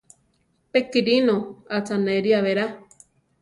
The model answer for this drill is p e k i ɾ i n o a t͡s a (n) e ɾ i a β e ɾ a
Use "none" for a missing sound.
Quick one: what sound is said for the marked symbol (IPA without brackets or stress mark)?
n